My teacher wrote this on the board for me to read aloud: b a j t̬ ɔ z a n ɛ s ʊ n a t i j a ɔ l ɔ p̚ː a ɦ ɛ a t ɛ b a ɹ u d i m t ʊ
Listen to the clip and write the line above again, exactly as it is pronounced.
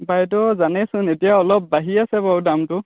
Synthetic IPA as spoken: b a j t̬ ɔ z a n ɛ s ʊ n e t i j a ɔ l ɔ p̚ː a ɦ i a s ɛ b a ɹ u d a m t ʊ